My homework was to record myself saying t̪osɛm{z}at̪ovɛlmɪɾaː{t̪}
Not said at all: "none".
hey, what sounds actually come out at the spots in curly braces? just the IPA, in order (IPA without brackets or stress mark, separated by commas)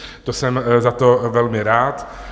z, t̪